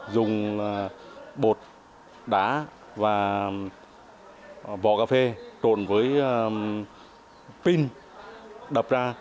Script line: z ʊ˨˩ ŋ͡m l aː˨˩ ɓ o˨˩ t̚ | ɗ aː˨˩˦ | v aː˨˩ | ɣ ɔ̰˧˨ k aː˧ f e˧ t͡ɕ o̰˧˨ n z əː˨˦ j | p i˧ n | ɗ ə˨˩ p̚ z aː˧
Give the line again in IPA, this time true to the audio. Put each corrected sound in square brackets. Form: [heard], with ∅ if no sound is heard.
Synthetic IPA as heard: z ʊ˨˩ ŋ͡m l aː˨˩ ɓ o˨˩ t̚ | ɗ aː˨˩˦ | v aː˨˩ | [v] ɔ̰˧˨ k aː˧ f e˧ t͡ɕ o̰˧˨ n [v] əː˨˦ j | p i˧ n | ɗ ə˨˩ p̚ z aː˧